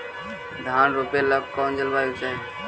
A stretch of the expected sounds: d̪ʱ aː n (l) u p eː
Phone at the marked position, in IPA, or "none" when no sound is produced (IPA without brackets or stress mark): ɾ